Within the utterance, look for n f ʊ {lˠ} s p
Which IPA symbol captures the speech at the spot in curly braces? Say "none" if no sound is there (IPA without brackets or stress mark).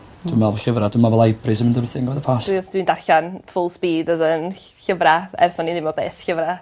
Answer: lˠ